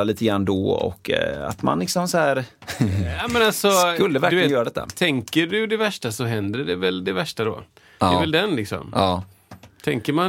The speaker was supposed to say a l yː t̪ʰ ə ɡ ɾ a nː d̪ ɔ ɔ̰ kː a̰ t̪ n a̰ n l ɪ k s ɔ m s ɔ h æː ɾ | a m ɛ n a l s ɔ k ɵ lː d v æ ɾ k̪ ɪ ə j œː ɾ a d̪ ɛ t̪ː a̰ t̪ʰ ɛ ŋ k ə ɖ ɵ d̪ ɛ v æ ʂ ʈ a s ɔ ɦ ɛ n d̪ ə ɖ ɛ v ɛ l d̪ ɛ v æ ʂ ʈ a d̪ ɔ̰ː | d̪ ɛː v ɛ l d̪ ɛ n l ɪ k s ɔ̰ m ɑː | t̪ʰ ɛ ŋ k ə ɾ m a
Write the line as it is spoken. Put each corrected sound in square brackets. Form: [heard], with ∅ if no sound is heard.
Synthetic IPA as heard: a l [iː] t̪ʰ ə ɡ ɾ a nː d̪ ɔ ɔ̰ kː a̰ t̪ [m] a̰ n l ɪ k s ɔ m s ɔ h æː ɾ | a m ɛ n a l s ɔ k ɵ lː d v æ ɾ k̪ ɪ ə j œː ɾ a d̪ ɛ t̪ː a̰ t̪ʰ ɛ ŋ k ə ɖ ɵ d̪ ɛ v æ ʂ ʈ a s ɔ ɦ ɛ n d̪ ə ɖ ɛ v ɛ l d̪ ɛ v æ ʂ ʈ a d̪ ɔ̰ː | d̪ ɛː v ɛ l d̪ ɛ n l ɪ k s ɔ̰ m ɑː | t̪ʰ ɛ ŋ k ə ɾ m a